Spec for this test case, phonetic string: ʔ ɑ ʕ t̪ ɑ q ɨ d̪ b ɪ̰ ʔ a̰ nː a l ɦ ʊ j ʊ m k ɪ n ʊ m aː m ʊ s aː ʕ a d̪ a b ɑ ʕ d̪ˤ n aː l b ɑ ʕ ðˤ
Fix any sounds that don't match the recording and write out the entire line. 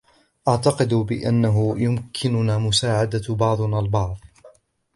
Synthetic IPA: ʔ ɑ ʕ t̪ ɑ q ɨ d̪ b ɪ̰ ʔ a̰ nː a ɦ ʊ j ʊ m kʰ ɪ n ʊ n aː m ʊ s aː ʕ a d̪ a b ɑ ʕ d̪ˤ n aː l b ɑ ʕ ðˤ